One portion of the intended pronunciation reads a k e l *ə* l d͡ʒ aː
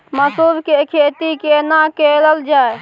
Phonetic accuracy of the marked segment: correct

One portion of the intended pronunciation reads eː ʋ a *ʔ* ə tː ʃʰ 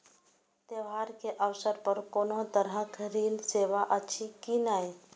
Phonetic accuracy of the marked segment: correct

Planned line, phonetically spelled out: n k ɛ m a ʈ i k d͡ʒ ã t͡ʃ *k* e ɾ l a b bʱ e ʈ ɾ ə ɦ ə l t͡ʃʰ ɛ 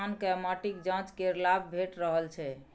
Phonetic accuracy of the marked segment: correct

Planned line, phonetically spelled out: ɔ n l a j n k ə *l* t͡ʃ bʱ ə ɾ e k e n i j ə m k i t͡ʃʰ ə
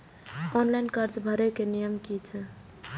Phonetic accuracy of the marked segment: incorrect: ɾ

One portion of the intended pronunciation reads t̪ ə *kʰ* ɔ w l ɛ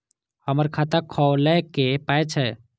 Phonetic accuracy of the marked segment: correct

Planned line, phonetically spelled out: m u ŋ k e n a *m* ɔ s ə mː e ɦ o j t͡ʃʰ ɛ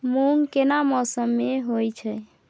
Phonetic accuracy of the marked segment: correct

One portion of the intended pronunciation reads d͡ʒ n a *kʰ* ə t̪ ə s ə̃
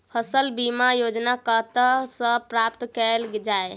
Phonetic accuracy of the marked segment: incorrect: k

